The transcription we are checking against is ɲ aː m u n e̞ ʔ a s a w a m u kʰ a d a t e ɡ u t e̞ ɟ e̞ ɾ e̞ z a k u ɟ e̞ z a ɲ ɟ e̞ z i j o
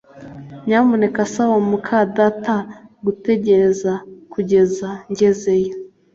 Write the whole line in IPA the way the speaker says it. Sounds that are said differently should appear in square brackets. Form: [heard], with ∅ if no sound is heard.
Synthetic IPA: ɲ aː m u n e̞ [k] a s a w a m u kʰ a d a t [a] ɡ u t e̞ ɟ e̞ ɾ e̞ z a k u ɟ e̞ z a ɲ ɟ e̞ z [e] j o